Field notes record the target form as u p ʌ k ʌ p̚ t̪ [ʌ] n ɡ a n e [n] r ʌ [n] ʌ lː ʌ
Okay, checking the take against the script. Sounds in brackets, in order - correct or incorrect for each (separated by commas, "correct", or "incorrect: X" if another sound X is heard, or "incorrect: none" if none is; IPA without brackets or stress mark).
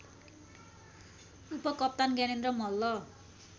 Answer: incorrect: a, correct, incorrect: m